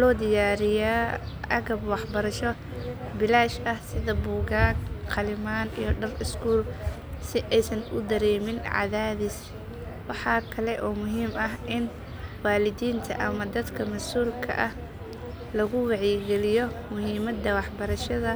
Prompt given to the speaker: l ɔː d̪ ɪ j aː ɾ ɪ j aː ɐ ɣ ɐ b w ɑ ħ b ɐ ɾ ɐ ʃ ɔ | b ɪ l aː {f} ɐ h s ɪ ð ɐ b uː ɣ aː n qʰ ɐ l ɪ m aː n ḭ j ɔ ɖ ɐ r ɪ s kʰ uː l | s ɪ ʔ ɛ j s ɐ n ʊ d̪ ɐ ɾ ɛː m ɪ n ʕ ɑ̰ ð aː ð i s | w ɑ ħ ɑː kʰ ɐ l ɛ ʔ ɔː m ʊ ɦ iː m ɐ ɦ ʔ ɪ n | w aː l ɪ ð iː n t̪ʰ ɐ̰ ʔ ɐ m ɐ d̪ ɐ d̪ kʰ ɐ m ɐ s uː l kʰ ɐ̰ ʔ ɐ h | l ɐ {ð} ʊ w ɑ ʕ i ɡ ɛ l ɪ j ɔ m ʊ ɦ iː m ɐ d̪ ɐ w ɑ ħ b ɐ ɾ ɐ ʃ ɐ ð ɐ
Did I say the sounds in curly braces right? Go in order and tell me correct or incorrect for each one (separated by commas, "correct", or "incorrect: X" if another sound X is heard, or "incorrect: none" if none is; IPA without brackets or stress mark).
incorrect: ʃ, incorrect: ɣ